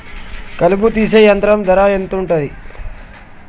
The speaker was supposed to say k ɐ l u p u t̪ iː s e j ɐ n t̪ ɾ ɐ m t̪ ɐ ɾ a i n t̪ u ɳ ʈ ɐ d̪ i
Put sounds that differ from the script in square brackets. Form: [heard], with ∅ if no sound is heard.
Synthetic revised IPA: k ɐ l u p u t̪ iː s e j ɐ n t̪ ɾ ɐ m [d̪] ɐ ɾ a [e] n t̪ u ɳ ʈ ɐ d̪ i